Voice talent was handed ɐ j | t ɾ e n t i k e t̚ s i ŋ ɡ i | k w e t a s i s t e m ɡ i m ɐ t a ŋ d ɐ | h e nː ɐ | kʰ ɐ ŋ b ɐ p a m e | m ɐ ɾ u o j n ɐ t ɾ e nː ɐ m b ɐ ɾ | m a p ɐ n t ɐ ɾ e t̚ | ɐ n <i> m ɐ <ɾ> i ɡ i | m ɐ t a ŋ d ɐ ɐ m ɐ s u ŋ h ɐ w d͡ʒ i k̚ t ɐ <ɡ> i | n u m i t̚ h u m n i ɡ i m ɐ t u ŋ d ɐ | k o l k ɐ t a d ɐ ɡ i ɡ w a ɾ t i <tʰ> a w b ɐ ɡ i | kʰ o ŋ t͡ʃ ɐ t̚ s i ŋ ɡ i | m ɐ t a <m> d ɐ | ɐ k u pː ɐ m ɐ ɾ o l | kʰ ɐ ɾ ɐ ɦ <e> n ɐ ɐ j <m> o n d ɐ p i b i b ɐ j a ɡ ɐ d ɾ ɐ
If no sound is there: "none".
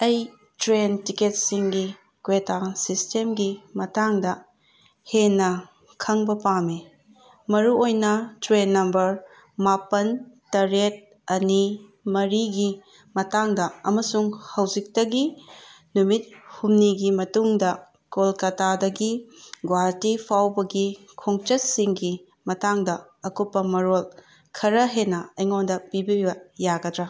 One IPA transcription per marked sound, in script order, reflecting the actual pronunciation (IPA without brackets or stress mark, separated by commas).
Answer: i, ɾ, ɡ, pʰ, ŋ, e, ŋ